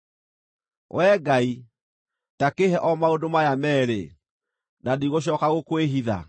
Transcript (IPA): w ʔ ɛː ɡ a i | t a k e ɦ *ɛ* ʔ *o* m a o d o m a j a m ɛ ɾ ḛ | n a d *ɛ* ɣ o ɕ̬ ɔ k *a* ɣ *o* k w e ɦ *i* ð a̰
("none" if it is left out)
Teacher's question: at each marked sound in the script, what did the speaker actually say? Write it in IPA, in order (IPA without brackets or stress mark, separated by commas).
ɛ, ɔ, i, a, o, i